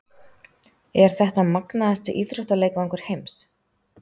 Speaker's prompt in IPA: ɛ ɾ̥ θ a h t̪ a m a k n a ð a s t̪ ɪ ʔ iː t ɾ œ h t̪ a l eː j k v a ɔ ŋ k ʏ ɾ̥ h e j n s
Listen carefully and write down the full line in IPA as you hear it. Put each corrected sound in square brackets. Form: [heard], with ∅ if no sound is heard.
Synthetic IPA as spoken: ɛ ɾ̥ θ [ɛ] h t̪ a m a k n a ð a s t̪ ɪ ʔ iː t ɾ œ h t̪ a l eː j k v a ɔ ŋ k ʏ ɾ̥ h e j [m] s